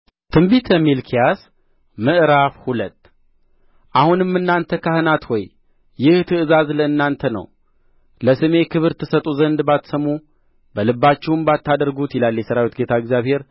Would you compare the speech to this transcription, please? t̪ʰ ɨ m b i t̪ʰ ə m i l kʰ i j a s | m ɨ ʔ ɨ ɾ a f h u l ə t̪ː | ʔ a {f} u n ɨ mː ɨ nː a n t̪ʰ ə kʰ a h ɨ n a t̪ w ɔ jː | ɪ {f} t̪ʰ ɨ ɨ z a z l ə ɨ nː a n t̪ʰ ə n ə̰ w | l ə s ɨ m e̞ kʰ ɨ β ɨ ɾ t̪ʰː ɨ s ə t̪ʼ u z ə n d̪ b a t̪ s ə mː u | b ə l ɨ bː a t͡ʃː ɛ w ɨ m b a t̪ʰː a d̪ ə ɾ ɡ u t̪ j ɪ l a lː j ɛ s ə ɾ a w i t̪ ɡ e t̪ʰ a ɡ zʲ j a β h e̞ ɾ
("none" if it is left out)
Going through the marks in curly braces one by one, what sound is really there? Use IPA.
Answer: h, h

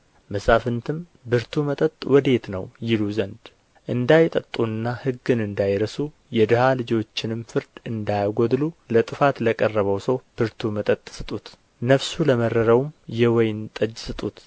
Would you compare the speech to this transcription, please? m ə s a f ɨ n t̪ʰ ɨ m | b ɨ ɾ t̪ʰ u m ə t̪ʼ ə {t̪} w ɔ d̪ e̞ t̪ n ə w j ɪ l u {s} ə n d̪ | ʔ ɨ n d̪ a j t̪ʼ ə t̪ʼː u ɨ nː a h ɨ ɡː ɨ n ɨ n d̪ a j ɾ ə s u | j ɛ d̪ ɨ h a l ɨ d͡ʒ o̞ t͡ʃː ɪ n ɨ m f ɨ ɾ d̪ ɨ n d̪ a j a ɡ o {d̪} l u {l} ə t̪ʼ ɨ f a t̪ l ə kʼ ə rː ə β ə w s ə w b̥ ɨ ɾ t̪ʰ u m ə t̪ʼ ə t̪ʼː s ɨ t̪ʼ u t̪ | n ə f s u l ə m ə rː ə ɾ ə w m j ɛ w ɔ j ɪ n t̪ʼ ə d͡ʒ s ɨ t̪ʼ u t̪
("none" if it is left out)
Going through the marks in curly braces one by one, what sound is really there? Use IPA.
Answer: t̪ʼ, z, d̪, l

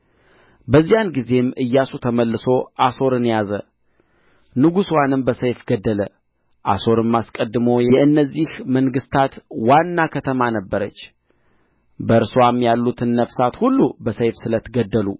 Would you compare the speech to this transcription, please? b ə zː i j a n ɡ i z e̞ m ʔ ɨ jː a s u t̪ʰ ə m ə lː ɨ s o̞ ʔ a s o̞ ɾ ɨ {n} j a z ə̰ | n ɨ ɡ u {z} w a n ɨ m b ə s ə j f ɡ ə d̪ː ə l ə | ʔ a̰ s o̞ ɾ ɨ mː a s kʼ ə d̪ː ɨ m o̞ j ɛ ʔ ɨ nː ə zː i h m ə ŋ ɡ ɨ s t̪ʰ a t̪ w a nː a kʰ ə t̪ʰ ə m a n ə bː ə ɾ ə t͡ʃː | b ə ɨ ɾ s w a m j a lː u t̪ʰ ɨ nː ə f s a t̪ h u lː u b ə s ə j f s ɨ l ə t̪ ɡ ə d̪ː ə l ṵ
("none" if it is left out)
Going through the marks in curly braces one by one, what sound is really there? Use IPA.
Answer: n, s

